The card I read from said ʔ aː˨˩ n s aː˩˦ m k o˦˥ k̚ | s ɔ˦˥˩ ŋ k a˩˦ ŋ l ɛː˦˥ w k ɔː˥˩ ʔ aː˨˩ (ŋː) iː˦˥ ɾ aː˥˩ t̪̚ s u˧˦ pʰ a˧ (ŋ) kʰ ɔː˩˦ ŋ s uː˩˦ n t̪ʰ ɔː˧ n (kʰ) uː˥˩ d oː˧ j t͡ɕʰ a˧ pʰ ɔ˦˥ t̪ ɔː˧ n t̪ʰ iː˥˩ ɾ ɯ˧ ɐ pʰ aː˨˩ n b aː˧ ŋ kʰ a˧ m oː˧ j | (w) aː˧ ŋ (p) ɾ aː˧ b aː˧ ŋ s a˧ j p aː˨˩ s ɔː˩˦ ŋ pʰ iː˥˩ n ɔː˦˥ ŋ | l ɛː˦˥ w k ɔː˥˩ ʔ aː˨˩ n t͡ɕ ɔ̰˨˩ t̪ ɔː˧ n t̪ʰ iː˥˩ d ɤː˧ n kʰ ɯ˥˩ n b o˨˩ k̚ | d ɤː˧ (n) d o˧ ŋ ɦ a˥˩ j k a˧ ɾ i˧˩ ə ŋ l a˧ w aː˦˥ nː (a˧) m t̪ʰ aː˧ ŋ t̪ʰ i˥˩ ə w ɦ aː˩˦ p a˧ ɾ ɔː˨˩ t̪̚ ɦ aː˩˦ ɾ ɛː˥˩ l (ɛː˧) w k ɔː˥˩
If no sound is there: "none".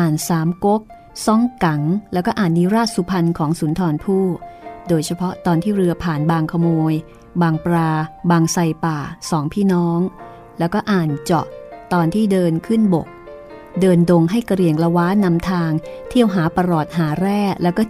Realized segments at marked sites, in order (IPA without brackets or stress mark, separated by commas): nː, n, pʰ, b, p, n, a˧, ɛː˦˥